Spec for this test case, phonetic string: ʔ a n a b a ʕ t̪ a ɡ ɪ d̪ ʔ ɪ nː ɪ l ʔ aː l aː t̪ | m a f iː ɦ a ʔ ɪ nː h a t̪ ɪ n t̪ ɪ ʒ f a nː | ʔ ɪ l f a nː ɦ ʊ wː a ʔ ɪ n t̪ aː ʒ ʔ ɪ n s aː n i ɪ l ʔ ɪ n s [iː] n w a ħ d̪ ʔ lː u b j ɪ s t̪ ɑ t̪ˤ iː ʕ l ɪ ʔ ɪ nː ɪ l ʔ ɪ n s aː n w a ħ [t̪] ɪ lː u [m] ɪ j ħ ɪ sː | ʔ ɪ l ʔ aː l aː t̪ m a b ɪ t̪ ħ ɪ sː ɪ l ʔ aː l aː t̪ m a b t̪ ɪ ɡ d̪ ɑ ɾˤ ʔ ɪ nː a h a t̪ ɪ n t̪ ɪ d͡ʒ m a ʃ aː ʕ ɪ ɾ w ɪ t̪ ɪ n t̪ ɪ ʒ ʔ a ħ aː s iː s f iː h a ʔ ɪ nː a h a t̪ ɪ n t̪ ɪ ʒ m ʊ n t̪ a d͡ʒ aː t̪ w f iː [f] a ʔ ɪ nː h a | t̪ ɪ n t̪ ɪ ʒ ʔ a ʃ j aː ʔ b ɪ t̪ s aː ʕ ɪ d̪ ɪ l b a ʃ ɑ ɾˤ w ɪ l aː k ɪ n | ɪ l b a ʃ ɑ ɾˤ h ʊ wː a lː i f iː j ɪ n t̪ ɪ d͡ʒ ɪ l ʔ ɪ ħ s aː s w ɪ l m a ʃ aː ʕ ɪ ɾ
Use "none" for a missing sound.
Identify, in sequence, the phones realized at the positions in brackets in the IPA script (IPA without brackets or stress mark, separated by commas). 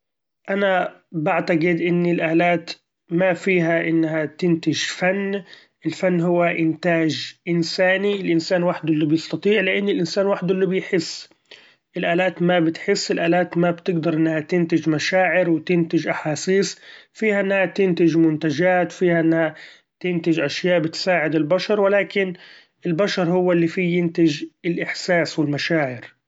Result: aː, d̪, b, h